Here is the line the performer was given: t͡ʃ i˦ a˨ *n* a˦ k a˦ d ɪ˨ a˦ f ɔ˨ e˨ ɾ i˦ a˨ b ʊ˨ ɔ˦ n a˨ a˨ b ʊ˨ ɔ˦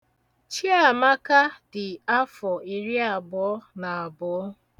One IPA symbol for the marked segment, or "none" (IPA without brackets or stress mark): m